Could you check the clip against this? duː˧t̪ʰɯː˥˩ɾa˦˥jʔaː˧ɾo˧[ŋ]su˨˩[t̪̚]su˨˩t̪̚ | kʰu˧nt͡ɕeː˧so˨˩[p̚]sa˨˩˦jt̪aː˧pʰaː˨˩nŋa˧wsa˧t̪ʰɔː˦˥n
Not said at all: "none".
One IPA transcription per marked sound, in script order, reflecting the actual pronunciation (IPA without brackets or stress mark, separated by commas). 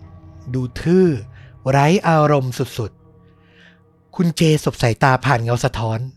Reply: m, t̪̚, p̚